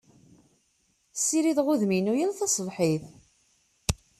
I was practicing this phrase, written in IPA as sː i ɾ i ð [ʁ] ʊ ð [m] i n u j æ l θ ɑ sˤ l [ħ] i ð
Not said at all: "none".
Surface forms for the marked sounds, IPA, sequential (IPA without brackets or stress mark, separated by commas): ʁ, m, ħ